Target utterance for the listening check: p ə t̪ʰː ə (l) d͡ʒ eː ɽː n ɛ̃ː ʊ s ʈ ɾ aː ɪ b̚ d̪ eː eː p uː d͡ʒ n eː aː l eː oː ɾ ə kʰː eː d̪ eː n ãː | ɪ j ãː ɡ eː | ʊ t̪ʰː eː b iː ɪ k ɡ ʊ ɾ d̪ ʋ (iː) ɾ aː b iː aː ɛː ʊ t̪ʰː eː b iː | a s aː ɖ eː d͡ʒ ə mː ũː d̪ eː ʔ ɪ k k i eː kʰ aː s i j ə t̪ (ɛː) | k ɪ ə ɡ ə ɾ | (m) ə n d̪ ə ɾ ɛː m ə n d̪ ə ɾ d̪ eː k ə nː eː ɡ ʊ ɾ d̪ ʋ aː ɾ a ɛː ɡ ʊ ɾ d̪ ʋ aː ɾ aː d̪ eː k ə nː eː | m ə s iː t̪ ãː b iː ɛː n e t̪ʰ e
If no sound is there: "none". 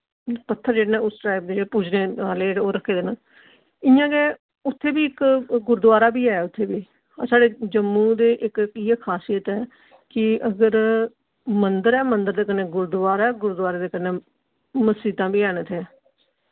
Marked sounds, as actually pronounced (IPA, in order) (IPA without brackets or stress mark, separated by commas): ɾ, aː, ɛː, m